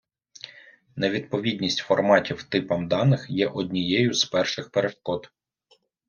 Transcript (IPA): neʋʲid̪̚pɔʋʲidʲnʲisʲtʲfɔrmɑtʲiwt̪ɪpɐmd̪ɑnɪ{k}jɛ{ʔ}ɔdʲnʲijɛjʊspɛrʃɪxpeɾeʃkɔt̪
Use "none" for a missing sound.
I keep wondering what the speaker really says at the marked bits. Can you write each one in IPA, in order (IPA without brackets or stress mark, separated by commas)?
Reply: x, ʔ